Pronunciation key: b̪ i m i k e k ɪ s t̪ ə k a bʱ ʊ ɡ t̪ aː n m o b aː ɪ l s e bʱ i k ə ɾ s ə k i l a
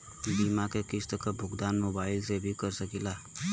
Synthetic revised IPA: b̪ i m a k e k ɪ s t̪ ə k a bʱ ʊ ɡ d̪ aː n m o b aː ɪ l s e bʱ i k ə ɾ s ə k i l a